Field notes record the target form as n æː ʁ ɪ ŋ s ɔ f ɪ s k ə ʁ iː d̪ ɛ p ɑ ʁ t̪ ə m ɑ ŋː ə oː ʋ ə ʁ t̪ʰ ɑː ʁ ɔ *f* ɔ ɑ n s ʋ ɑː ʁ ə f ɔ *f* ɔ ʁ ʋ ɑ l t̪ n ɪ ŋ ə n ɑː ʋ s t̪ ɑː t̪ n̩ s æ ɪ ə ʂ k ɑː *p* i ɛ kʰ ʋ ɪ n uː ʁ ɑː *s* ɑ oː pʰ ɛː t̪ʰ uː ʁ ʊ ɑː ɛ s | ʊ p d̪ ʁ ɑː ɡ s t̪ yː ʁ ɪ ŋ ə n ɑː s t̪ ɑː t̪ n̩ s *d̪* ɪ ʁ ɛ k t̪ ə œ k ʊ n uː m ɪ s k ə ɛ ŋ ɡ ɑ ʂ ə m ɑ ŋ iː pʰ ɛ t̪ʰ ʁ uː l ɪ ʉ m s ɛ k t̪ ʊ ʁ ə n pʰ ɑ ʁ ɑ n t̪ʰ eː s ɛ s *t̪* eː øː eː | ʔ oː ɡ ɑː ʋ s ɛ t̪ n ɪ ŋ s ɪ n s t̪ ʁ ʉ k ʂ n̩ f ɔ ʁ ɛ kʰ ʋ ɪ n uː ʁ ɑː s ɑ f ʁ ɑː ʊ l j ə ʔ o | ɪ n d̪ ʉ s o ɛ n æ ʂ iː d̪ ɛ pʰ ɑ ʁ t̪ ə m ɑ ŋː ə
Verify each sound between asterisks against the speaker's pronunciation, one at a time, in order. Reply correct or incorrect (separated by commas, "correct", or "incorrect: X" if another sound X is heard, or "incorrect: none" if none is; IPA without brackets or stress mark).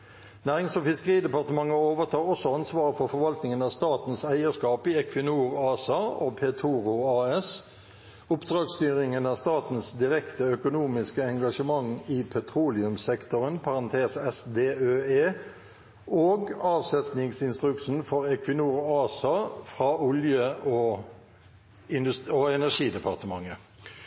incorrect: s, correct, correct, correct, correct, incorrect: d̪